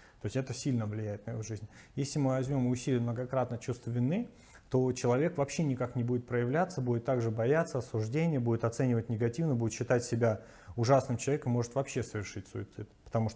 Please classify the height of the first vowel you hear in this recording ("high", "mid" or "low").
mid